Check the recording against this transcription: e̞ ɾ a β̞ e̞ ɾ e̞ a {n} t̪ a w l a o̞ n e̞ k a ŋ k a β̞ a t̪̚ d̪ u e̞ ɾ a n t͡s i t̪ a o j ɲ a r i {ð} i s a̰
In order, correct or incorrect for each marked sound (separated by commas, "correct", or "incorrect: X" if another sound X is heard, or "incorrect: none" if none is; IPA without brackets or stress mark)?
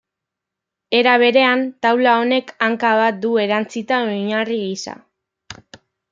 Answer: correct, incorrect: ɣ